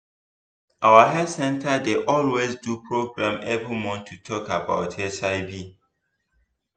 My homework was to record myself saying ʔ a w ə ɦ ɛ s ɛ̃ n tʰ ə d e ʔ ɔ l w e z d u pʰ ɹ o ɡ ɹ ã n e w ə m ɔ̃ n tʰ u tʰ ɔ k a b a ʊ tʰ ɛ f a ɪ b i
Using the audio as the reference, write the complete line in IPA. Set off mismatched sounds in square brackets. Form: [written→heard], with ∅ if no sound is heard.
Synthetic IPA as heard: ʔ a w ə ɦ ɛ s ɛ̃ n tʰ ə d e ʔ ɔ l w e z d u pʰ ɹ o ɡ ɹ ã [n→m] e [w→b] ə m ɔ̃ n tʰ u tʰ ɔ k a b a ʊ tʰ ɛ [f→s] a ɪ b i